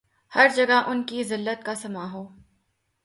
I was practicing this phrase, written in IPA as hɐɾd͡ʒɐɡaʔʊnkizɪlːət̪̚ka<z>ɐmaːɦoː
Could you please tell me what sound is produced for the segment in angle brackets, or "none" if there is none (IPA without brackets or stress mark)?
s